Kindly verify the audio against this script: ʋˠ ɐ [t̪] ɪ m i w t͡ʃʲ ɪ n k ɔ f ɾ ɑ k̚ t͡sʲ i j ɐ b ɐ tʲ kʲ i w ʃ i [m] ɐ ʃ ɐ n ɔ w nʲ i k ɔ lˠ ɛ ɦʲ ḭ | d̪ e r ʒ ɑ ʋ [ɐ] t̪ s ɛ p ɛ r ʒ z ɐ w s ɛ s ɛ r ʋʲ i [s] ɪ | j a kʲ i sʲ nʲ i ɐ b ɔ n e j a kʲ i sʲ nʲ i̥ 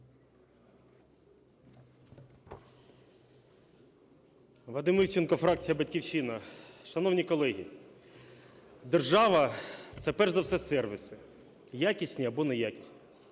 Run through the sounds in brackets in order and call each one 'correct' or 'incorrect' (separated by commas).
incorrect, incorrect, correct, correct